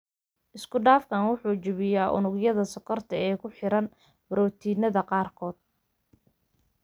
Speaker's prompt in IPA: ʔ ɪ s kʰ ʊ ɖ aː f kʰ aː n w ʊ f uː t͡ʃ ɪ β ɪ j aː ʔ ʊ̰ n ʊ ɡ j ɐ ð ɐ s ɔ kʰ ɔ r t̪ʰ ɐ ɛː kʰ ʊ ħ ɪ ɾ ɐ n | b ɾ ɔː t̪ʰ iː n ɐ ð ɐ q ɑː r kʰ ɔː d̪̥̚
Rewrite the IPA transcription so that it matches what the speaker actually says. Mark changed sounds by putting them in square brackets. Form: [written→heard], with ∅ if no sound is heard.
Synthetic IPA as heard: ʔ ɪ s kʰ ʊ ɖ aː f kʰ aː n w ʊ [f→ħ] uː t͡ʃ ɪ β ɪ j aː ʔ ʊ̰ n ʊ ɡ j ɐ ð ɐ s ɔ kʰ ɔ r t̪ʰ ɐ ɛː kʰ ʊ ħ ɪ ɾ ɐ n | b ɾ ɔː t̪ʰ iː n ɐ ð ɐ q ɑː r kʰ ɔː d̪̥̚